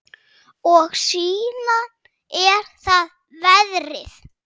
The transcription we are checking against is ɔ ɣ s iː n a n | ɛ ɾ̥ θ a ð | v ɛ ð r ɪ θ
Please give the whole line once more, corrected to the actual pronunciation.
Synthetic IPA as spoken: ɔ ɣ s iː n a n | ɛ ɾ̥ θ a ð | v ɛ ð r ɪ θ